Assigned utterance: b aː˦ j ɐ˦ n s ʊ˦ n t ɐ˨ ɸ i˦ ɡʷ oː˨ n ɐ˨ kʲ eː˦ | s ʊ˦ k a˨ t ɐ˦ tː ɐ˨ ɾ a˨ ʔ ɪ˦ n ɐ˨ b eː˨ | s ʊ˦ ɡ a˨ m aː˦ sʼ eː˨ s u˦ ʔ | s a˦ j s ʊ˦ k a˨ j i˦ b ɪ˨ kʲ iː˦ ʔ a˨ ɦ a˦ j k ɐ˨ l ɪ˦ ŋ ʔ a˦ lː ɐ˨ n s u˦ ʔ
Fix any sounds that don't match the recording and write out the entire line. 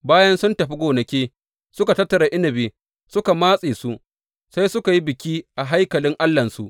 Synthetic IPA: b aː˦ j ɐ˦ n s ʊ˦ n t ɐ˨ ɸ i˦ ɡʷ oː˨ n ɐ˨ kʲ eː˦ | s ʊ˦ k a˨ t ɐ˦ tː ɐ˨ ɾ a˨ ʔ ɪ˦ n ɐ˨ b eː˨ | s ʊ˦ k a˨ m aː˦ sʼ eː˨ s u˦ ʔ | s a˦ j s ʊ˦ k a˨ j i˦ b ɪ˨ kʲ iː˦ ʔ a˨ ɦ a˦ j k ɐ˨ l ɪ˦ ŋ ʔ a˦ lː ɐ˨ n s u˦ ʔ